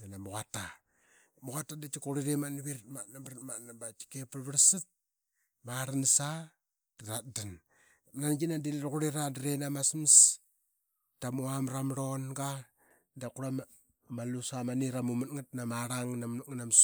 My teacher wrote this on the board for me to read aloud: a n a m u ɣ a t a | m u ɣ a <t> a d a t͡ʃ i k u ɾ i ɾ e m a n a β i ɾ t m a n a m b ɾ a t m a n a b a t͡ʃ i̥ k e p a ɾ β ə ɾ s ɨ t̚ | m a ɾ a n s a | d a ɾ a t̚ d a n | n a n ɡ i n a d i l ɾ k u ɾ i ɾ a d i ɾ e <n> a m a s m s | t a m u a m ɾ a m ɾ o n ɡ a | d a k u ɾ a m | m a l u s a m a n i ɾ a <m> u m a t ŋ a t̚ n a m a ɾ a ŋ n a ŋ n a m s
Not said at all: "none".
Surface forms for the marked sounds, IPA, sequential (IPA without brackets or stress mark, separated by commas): t, n, m